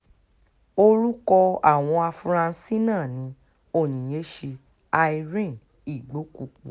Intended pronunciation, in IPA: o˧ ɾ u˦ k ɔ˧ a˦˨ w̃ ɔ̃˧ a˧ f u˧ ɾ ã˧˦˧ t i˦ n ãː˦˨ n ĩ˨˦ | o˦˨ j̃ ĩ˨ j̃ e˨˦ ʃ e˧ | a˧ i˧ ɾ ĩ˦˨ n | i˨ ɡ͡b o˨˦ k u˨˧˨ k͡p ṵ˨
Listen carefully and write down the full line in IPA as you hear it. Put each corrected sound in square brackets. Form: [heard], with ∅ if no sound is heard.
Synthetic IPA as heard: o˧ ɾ u˦ k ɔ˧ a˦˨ w̃ ɔ̃˧ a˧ f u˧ ɾ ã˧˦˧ [s] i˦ n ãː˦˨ n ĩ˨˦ | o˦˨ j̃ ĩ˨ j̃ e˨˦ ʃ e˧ | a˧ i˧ ɾ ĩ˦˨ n | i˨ ɡ͡b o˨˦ k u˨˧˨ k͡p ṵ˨